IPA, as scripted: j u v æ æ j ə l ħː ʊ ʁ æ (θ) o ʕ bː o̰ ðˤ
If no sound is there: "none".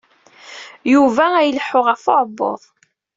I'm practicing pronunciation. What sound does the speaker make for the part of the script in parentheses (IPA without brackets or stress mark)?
f